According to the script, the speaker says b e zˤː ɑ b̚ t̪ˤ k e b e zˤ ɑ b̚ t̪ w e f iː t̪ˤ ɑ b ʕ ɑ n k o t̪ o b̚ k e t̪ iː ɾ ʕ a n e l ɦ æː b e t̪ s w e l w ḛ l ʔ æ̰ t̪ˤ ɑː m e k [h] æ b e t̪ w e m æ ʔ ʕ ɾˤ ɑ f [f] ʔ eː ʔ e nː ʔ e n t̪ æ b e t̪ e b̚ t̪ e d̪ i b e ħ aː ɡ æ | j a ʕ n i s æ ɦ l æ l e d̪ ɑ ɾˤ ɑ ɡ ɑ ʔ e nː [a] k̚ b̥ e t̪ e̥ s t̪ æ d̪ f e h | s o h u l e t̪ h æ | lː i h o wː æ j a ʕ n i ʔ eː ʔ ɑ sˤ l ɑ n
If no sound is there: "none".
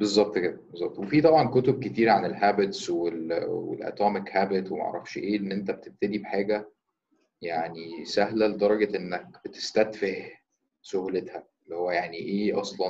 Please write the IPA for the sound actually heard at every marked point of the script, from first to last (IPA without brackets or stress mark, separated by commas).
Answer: h, ʃ, æ